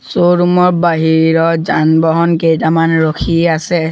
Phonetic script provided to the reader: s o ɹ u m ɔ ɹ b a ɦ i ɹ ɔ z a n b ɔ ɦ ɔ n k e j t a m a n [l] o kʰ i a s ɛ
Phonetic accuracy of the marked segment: incorrect: ɹ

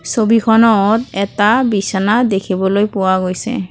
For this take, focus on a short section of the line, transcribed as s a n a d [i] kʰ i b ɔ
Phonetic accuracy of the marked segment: incorrect: e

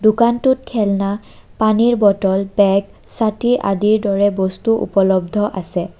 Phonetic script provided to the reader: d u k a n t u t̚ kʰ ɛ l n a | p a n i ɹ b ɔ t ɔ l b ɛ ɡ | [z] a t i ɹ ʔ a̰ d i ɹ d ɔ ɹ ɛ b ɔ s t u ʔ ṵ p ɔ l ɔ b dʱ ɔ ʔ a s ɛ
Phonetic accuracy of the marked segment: incorrect: s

